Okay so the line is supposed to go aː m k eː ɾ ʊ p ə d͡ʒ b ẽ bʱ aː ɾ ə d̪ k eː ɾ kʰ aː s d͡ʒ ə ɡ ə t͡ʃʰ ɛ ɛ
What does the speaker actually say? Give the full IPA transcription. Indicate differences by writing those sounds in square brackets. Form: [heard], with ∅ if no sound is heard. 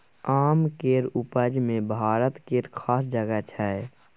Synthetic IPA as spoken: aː m k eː ɾ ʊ p ə d͡ʒ [m] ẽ bʱ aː ɾ ə [t̪] k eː ɾ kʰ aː s d͡ʒ ə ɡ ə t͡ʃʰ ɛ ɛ